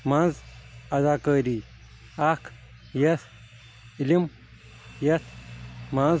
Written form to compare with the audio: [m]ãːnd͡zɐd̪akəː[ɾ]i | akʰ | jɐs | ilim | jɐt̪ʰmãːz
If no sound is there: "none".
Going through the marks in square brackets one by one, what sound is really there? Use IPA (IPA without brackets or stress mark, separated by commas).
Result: m, ɾ